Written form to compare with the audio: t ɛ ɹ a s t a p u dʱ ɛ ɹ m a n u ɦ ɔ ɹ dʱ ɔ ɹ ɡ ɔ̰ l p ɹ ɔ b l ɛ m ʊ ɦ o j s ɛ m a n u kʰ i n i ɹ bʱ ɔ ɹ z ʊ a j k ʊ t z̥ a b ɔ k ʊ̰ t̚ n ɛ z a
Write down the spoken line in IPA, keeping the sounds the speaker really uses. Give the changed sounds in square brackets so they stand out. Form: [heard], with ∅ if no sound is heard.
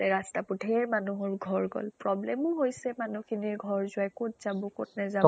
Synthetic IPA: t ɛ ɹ a s t a p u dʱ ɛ ɹ m a n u ɦ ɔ ɹ [ɡʱ] ɔ ɹ ɡ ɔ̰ l p ɹ ɔ b l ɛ m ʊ ɦ o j s ɛ m a n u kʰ i n i ɹ [ɡʱ] ɔ ɹ z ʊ a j k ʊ t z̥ a b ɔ k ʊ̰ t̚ n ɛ z a